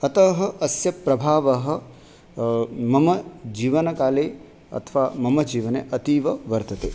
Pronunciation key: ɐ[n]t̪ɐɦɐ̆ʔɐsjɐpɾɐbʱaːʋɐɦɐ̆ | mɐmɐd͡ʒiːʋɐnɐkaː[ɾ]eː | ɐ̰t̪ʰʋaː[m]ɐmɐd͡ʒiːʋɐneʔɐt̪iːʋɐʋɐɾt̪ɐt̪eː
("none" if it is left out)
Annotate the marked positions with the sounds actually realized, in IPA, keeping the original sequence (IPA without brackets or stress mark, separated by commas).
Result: none, l, m